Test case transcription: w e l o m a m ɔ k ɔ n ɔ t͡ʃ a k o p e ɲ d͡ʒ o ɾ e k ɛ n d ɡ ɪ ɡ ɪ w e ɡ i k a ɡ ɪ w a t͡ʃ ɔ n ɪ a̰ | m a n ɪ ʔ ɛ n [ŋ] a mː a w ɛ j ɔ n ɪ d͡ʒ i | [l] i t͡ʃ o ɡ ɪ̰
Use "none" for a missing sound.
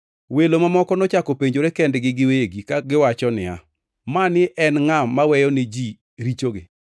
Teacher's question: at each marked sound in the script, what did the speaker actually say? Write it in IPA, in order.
ŋ, ɾ

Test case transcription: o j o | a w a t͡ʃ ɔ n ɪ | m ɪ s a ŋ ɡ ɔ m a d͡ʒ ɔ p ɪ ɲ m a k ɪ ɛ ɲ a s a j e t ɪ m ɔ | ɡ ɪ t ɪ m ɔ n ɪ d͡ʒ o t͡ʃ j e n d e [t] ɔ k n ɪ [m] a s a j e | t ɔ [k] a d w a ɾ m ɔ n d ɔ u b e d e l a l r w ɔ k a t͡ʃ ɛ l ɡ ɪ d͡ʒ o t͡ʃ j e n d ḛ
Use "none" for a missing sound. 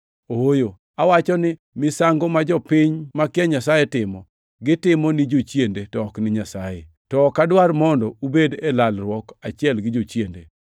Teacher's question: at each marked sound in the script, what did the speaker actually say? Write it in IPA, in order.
t, ɲ, k

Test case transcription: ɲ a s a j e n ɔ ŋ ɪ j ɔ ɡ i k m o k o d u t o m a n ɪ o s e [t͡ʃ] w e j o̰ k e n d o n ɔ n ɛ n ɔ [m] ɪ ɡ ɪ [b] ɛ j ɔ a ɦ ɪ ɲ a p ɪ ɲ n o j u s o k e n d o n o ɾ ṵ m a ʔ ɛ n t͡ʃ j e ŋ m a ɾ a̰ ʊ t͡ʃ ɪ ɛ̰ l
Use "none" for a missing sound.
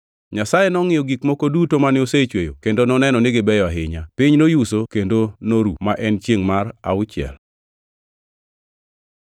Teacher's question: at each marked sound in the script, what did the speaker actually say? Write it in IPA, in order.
t͡ʃ, n, b

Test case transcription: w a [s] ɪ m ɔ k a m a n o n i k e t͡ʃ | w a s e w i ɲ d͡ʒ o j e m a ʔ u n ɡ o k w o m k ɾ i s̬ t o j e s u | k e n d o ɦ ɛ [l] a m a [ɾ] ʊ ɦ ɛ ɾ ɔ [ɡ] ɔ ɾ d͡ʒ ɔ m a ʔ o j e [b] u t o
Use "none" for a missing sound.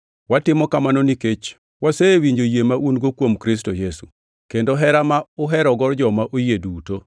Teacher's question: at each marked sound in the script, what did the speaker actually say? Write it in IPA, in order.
t, ɾ, none, ɡ, d

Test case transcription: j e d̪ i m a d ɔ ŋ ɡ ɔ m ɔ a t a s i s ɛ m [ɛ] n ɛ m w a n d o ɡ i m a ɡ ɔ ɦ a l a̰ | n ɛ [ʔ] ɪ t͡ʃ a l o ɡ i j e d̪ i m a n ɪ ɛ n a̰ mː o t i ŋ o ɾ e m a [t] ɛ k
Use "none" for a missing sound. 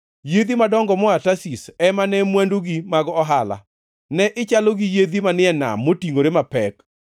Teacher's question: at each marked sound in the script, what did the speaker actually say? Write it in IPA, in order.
a, ʔ, p

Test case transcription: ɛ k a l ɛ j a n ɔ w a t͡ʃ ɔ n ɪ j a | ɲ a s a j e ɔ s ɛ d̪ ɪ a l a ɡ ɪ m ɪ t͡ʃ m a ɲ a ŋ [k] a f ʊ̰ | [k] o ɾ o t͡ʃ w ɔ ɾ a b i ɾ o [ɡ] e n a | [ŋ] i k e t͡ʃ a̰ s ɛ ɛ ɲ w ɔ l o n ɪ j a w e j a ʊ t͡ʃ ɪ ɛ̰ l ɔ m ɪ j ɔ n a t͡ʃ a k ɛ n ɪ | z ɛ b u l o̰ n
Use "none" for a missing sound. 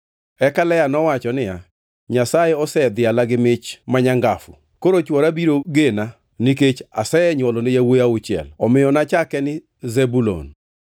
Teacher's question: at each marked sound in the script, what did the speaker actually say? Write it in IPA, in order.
ɡ, k, ɡ, n

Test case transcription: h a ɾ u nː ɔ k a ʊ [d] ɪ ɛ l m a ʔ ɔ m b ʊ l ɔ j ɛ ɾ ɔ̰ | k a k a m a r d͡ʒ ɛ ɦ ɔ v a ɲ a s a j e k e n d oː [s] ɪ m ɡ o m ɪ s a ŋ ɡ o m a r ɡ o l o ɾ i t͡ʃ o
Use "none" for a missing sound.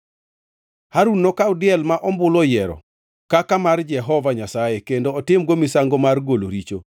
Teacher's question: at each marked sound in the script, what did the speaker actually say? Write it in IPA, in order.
d, t

